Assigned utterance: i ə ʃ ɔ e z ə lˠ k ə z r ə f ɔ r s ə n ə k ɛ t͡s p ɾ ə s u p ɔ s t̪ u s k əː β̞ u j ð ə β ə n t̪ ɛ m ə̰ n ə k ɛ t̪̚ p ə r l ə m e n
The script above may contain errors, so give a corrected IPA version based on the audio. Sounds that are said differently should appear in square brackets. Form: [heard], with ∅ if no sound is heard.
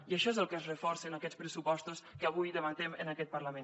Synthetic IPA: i ə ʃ ɔ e z ə lˠ k ə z r ə f ɔ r s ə n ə k ɛ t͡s p ɾ ə s u p ɔ s t̪ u s k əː β̞ u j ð ə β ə n t̪ ɛ m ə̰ n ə k ɛ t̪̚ p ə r l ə m e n